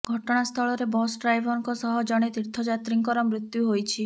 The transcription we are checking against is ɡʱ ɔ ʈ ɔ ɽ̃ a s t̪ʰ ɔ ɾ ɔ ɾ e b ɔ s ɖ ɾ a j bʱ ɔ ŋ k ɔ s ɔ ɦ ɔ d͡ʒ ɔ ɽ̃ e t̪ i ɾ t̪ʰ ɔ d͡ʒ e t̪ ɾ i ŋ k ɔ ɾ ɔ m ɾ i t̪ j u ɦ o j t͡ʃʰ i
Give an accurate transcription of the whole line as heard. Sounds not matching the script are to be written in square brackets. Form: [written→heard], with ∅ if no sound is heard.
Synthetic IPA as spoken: ɡʱ ɔ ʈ ɔ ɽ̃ a s t̪ʰ ɔ [ɾ→ɭ] ɔ ɾ e b ɔ s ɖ ɾ a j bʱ ɔ ŋ k ɔ s ɔ ɦ ɔ d͡ʒ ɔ ɽ̃ e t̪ i ɾ t̪ʰ ɔ d͡ʒ [e→a] t̪ ɾ i ŋ k ɔ ɾ ɔ m ɾ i t̪ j u ɦ o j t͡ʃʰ i